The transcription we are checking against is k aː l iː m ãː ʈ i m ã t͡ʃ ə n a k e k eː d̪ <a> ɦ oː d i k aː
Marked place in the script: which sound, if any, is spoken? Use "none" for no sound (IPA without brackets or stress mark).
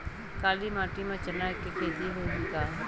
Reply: i